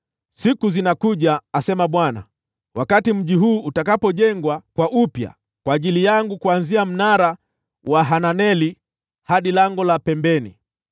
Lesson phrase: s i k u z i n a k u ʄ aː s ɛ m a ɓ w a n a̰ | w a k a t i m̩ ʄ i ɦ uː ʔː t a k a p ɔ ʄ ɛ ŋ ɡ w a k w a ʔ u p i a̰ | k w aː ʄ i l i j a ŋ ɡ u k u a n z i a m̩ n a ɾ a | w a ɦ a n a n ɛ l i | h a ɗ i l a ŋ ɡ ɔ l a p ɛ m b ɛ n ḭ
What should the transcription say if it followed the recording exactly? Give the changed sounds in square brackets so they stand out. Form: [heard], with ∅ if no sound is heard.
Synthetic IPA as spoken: s i k u z i n a k u ʄ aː s ɛ m a ɓ w a n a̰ | w a k a t i m̩ ʄ i ɦ uː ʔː t a k a p ɔ ʄ ɛ ŋ ɡ w a k w a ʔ u p [j] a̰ | k w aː ʄ i l i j a ŋ ɡ u k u a n z i a m̩ n a ɾ a | w a ɦ a n a n ɛ l i | h a ɗ i l a ŋ ɡ ɔ l a p ɛ m b ɛ n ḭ